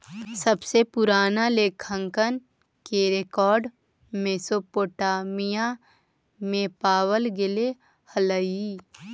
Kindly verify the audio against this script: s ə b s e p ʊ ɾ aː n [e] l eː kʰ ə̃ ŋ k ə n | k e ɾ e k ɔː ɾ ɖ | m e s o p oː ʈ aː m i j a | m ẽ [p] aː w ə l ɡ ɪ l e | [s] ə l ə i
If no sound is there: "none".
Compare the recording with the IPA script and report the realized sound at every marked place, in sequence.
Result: a, p, h

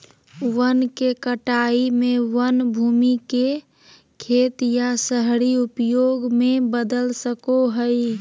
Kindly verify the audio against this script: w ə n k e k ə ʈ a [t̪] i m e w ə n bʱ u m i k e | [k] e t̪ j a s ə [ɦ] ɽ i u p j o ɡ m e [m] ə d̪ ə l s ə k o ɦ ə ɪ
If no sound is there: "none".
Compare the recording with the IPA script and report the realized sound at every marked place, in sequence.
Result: none, kʰ, ɦ, b

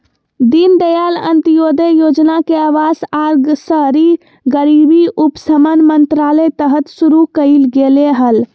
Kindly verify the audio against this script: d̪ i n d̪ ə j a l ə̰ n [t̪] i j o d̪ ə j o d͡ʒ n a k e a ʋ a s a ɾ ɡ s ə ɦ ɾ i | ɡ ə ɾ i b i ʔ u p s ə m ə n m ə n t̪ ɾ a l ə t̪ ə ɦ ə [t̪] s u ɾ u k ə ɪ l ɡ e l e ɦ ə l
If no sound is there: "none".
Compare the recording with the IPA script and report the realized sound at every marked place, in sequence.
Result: t̪, t̪

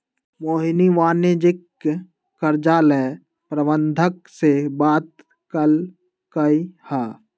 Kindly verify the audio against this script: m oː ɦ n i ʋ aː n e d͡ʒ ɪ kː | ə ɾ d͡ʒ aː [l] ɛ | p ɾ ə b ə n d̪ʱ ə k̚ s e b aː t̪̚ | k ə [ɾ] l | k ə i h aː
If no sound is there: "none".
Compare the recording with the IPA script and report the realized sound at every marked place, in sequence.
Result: l, none

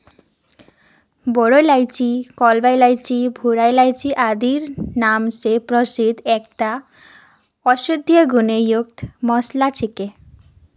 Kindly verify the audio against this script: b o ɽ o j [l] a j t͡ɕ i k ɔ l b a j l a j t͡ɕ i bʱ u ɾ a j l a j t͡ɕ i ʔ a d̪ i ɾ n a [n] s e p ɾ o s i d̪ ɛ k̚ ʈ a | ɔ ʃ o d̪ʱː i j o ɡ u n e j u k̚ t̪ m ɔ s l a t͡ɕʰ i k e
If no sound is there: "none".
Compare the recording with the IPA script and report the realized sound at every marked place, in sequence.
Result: l, m

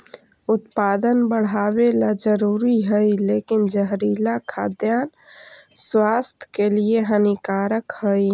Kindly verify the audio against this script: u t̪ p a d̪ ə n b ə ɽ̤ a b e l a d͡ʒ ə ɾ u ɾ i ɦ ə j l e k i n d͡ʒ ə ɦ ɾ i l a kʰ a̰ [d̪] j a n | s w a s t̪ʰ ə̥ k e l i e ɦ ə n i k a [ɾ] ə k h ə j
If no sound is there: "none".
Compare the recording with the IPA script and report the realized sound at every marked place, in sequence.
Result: d̪, ɾ

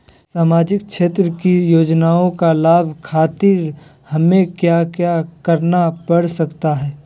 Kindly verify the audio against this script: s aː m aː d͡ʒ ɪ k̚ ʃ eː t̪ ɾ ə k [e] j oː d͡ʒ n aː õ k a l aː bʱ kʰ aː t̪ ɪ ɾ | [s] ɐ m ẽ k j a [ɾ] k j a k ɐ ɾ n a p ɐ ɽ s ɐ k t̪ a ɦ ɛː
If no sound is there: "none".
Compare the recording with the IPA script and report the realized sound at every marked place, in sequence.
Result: i, h, none

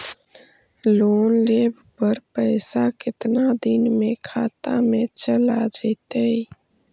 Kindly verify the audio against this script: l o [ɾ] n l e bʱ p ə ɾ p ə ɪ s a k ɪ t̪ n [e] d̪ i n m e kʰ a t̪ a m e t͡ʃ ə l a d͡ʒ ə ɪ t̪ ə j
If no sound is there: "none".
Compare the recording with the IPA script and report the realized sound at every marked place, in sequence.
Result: none, a

